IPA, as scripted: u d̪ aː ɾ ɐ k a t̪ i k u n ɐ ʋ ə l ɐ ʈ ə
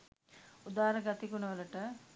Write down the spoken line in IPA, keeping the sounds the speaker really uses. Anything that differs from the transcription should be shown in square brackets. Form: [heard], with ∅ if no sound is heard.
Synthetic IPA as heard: u d̪ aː ɾ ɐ [ɡ] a t̪ i k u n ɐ ʋ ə l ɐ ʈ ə